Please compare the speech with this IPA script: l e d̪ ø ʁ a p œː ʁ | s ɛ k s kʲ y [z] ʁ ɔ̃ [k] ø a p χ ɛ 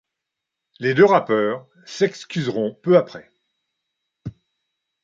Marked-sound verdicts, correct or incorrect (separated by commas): correct, incorrect